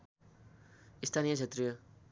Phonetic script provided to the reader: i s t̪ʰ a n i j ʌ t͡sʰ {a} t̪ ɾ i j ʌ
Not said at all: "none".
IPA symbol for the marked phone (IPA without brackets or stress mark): e